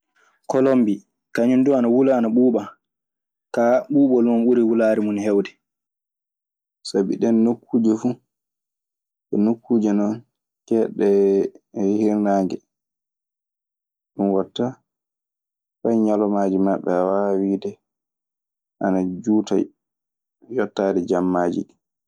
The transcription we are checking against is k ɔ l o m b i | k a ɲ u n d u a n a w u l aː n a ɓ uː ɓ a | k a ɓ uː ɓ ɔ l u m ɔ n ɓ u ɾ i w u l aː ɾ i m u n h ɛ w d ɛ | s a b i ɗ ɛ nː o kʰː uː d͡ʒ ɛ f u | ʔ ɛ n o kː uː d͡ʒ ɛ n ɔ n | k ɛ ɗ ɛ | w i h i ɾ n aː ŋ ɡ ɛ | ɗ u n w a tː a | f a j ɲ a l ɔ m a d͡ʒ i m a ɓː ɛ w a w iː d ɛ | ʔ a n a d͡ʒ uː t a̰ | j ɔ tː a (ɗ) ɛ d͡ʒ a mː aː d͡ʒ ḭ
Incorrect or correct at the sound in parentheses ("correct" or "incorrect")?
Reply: incorrect